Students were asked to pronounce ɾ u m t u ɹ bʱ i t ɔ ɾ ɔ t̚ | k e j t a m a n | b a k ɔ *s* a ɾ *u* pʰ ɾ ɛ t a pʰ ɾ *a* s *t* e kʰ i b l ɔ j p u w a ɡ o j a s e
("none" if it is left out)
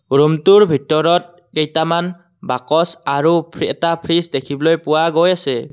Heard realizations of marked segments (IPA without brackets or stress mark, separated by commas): s, u, i, d